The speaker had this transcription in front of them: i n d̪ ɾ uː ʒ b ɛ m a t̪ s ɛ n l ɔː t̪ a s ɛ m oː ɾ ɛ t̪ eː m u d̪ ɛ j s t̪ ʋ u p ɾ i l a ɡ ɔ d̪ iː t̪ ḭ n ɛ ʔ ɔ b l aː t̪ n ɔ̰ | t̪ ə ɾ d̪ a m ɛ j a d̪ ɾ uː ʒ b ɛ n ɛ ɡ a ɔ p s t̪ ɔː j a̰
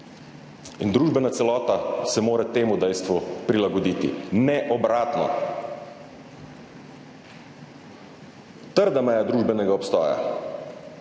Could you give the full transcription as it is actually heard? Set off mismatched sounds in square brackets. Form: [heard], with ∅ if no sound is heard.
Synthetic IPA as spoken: i n d̪ ɾ uː ʒ b ɛ [n] a t̪ s ɛ [∅] l ɔː t̪ a s ɛ m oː ɾ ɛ t̪ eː m u d̪ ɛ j s t̪ ʋ u p ɾ i l a ɡ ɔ d̪ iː t̪ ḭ n ɛ ʔ ɔ b [ɾ] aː t̪ n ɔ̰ | t̪ ə ɾ d̪ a m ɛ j a d̪ ɾ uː ʒ b ɛ n ɛ ɡ a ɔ p s t̪ ɔː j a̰